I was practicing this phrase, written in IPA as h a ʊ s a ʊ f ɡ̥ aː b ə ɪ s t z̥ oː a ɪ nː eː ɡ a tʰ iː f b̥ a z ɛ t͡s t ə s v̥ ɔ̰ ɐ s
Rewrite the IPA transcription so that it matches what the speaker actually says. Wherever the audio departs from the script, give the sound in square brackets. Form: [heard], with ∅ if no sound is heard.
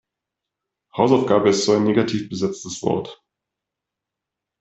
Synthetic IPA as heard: h a ʊ s a ʊ f ɡ̥ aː b ə ɪ s t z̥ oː a ɪ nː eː ɡ a tʰ iː f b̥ [ə] z ɛ t͡s t ə s v̥ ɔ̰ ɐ [t]